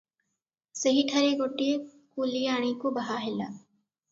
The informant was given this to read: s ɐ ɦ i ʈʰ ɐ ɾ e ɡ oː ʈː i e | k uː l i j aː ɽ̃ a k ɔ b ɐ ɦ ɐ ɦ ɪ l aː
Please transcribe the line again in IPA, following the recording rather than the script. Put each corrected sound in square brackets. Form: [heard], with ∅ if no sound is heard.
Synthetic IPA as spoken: s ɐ ɦ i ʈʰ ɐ ɾ e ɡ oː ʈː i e | k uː l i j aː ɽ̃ [i] k [o] b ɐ ɦ [a] ɦ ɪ l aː